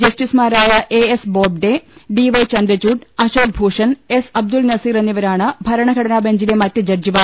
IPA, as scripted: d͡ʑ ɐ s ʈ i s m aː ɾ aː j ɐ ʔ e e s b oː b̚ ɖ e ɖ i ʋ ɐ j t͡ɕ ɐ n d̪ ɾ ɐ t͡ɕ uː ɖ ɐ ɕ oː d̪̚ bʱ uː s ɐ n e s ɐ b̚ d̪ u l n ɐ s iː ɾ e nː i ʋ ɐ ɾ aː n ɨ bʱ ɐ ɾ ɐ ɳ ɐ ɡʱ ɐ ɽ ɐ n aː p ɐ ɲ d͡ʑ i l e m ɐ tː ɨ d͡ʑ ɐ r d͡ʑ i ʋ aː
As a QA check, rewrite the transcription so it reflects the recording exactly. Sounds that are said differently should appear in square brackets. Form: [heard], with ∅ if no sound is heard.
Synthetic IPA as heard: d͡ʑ ɐ s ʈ i s m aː ɾ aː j ɐ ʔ e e s b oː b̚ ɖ e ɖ i ʋ ɐ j t͡ɕ ɐ n d̪ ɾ ɐ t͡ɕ uː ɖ ɐ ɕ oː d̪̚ bʱ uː [ʂ] ɐ n e s ɐ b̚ d̪ u l n ɐ s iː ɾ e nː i ʋ ɐ ɾ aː [ɳ] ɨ bʱ ɐ ɾ ɐ ɳ ɐ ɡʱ ɐ ɽ ɐ n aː [b] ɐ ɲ d͡ʑ i l e m ɐ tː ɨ d͡ʑ ɐ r d͡ʑ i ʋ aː